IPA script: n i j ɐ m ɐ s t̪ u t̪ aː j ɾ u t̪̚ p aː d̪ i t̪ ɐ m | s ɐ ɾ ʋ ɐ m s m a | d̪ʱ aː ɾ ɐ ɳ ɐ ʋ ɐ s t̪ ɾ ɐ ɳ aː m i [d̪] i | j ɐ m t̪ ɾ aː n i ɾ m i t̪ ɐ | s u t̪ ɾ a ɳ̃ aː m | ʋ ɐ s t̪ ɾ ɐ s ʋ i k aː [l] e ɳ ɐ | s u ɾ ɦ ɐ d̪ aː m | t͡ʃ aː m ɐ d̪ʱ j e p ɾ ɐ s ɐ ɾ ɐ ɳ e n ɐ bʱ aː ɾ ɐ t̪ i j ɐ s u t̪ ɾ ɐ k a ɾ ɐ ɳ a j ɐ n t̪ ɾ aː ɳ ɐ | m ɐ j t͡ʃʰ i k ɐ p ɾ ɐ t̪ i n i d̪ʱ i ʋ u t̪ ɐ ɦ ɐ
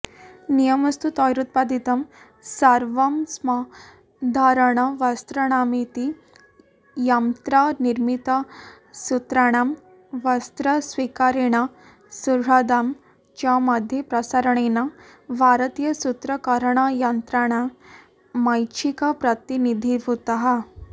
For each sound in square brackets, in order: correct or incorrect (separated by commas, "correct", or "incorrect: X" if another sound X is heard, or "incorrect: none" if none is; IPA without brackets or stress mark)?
incorrect: t̪, incorrect: ɾ